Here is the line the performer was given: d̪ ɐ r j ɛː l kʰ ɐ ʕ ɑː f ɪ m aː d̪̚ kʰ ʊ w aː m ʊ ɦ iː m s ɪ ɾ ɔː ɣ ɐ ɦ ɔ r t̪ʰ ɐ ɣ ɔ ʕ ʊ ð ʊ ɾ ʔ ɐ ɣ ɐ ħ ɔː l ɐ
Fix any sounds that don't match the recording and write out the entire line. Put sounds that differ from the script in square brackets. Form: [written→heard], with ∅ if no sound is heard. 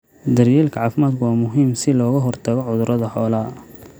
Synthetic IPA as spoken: d̪ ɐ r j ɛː l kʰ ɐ ʕ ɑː f ɪ m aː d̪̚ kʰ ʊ w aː m ʊ ɦ iː m s ɪ [ɾ→l] ɔː ɣ ɐ ɦ ɔ r t̪ʰ ɐ ɣ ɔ ʕ ʊ ð ʊ ɾ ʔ ɐ [ɣ→ð] ɐ ħ ɔː l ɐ